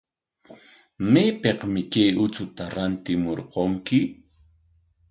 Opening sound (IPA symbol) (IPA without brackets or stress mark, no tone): m